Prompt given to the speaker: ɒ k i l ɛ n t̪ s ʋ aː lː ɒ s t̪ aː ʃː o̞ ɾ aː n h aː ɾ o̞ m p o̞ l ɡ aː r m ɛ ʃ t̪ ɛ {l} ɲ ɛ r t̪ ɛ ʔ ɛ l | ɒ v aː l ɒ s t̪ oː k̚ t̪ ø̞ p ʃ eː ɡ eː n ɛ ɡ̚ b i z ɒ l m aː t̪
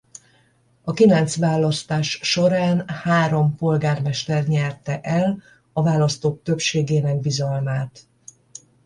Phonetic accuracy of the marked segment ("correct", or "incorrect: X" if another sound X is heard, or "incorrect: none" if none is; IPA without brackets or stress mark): incorrect: r